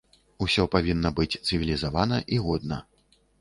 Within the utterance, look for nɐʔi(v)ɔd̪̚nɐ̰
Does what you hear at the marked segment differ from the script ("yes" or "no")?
yes